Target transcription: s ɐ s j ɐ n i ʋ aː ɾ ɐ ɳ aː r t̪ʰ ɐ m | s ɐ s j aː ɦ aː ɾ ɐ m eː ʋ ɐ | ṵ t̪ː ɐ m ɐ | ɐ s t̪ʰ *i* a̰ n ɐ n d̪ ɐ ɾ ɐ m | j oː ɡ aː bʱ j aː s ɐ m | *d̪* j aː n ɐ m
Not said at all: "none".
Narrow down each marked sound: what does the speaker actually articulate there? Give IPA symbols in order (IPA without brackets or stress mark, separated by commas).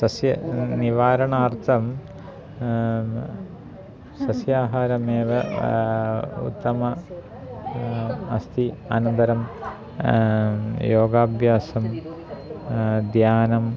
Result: i, d̪